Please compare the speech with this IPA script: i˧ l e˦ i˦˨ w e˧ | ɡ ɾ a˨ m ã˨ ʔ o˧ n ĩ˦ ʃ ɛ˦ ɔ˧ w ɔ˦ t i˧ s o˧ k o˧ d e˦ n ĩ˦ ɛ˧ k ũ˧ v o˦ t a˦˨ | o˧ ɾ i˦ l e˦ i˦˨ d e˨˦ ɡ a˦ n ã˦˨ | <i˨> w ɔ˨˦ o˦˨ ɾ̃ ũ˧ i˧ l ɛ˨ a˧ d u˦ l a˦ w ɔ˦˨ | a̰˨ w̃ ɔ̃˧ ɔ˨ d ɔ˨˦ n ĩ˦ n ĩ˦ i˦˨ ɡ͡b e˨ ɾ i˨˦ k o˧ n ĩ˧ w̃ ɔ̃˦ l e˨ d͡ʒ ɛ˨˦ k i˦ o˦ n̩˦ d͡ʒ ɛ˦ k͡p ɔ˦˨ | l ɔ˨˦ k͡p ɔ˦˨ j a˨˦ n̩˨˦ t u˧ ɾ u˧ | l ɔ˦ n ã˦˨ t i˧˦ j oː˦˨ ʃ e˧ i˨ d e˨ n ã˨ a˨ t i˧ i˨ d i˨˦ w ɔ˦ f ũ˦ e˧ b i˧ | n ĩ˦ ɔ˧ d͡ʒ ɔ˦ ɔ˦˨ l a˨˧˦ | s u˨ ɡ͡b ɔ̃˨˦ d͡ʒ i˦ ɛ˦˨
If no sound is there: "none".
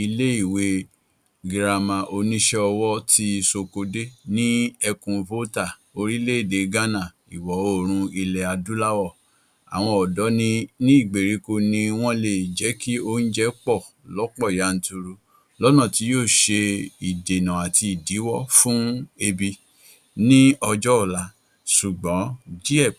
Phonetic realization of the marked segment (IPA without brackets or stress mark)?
i˨